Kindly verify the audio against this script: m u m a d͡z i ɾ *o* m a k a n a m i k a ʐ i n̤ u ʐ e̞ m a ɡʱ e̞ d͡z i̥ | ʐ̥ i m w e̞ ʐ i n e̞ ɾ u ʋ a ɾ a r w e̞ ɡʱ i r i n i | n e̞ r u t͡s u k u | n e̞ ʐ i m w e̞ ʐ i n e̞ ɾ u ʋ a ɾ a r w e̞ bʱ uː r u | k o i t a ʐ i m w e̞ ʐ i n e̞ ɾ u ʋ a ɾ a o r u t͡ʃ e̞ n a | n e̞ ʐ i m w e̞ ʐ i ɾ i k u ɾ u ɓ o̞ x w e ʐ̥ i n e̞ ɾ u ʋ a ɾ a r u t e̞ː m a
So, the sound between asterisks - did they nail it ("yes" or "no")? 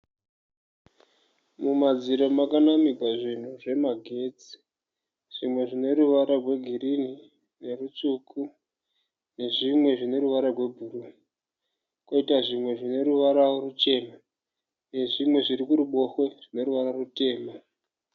yes